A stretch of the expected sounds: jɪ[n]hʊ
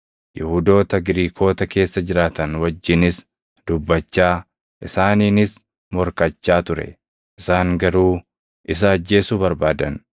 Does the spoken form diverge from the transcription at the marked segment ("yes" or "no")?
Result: yes